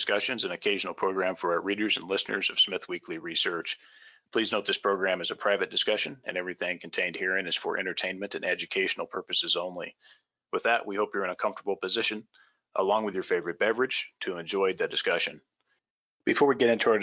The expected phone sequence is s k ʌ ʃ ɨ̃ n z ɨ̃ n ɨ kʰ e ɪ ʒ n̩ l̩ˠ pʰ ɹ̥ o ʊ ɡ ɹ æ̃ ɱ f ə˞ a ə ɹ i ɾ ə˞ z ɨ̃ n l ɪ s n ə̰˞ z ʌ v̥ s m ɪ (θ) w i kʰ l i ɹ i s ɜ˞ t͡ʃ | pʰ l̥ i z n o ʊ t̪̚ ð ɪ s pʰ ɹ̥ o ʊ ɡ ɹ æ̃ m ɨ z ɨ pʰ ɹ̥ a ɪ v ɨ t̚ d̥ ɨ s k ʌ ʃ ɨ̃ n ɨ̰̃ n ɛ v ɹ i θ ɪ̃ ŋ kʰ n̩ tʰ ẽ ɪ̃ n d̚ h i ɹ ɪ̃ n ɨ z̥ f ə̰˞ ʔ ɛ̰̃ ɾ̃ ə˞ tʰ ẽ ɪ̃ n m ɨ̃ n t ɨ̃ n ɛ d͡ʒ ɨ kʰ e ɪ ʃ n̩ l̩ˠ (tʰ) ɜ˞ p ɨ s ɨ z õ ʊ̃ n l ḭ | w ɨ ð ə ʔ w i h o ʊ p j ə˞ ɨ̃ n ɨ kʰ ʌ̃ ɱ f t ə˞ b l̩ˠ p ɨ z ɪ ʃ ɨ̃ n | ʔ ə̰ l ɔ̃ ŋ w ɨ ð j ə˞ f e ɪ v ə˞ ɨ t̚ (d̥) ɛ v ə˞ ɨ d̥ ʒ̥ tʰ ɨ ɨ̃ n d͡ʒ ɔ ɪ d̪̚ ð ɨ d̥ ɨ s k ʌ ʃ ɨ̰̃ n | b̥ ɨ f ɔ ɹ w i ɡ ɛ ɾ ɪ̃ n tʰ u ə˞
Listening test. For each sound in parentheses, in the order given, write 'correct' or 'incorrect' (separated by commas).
correct, incorrect, incorrect